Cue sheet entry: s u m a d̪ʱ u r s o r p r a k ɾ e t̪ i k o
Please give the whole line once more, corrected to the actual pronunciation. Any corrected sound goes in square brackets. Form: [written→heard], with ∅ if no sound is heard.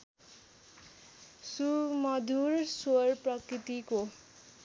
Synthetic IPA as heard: s u m [a→ʌ] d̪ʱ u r s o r p r [a→ʌ] k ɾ [e→i] t̪ i k o